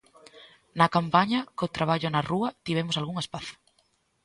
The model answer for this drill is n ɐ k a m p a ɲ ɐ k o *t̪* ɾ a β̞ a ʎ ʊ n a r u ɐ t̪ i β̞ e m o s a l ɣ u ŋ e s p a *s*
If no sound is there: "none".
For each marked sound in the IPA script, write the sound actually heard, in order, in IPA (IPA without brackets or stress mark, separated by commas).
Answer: t̪, θ